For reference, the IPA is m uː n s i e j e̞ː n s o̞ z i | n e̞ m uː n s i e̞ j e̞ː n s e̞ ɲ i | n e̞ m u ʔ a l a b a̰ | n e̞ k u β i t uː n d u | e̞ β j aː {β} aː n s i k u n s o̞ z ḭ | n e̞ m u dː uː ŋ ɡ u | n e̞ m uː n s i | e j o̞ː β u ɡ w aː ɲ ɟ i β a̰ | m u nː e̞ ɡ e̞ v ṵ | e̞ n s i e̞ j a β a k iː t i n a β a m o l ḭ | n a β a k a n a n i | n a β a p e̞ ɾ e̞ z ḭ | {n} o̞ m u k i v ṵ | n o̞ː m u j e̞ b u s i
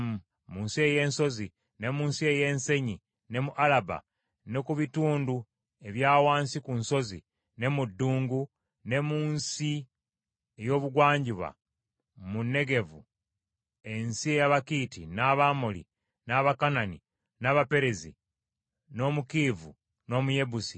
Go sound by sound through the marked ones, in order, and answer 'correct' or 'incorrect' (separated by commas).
incorrect, correct